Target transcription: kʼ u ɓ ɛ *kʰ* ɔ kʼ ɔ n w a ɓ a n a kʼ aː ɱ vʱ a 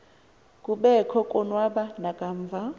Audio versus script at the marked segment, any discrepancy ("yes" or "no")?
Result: no